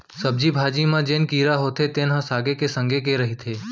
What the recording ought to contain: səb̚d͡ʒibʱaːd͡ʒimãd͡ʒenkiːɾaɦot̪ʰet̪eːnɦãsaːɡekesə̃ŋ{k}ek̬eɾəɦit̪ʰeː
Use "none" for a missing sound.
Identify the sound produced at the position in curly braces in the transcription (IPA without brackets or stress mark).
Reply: ɡ